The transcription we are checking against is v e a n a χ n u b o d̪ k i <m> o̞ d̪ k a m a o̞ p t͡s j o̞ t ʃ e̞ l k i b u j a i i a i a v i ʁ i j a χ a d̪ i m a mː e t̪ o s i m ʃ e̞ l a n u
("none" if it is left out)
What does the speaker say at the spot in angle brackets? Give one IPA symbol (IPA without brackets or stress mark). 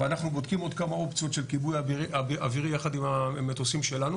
m